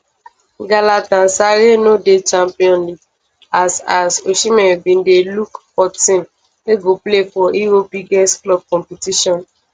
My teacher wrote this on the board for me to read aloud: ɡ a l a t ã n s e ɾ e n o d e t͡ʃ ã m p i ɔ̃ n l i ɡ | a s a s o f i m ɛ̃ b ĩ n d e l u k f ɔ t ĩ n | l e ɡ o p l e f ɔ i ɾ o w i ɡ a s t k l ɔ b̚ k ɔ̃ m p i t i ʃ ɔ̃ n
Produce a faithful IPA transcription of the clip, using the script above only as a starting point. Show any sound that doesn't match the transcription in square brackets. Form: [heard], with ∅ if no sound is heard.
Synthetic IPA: ɡ a l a t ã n s [a] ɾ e n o d e t͡ʃ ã m p i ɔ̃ n l i ɡ | a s a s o [ʃ] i m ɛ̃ b ĩ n d e l u k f ɔ t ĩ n | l e ɡ o p l e f ɔ i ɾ o [b] i ɡ [ɛ] s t k l ɔ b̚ k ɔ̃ m p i t i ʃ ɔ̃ n